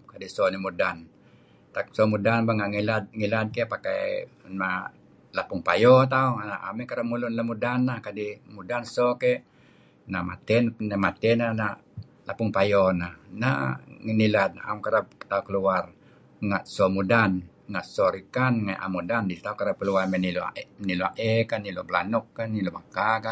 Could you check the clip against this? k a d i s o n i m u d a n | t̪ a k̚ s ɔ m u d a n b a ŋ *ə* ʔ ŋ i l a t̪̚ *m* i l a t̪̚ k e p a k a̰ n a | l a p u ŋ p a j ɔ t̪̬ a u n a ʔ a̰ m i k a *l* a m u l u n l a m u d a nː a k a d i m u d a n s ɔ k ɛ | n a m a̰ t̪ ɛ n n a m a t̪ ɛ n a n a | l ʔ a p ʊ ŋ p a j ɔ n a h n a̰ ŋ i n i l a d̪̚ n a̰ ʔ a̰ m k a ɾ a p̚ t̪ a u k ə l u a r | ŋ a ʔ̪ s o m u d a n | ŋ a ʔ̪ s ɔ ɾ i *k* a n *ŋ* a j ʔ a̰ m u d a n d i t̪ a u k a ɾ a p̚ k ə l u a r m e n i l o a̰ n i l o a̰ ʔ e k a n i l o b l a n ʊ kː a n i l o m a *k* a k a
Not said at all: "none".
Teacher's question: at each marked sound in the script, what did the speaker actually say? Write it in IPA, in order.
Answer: a, ŋ, ɾ, k, ŋ, k

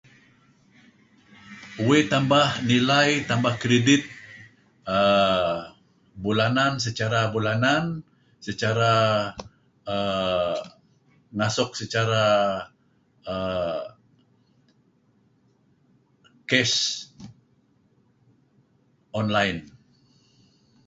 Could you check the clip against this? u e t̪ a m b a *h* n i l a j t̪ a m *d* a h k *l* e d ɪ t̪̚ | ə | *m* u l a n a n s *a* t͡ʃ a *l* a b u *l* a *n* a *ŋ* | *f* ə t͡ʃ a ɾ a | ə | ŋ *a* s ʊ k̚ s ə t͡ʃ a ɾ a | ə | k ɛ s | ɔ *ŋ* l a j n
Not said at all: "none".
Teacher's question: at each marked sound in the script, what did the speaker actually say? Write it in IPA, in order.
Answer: h, b, ɾ, b, ə, ɾ, l, n, n, s, a, n

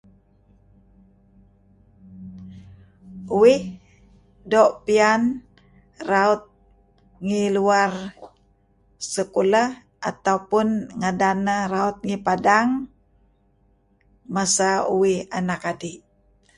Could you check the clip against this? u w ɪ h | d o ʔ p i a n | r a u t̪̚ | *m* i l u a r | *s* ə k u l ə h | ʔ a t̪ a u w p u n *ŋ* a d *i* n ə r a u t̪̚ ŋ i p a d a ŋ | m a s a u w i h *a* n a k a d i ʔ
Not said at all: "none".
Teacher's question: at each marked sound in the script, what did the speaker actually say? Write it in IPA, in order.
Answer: ŋ, s, ŋ, a, a

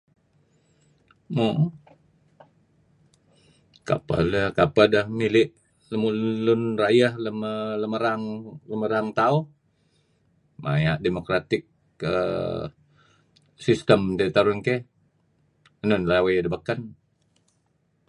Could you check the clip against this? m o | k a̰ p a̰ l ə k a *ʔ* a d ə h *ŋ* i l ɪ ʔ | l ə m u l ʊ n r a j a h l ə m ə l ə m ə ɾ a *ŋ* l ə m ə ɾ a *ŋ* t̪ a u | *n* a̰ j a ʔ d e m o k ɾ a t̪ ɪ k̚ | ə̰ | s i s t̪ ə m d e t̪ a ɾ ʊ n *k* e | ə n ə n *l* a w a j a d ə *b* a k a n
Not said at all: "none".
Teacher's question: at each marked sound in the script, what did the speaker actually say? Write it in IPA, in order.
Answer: p, m, ŋ, ŋ, m, k, l, b

